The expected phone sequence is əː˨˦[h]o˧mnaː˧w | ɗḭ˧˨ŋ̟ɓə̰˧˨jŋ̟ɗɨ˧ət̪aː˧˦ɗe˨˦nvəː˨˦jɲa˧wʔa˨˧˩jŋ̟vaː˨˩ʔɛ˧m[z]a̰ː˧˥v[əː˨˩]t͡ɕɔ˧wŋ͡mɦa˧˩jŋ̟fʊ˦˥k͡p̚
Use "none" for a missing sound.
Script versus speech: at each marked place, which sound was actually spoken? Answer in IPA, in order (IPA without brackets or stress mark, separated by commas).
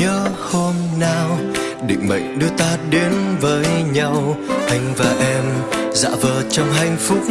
h, z, əː˨˩